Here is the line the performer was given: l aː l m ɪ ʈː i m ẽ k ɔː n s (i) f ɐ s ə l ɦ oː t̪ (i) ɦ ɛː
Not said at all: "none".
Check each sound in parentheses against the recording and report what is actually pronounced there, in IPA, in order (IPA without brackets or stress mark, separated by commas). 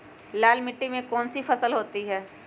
i, i